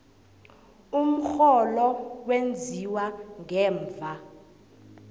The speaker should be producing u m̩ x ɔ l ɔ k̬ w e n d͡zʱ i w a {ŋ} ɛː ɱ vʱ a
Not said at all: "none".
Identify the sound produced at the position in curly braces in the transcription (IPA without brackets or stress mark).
ŋ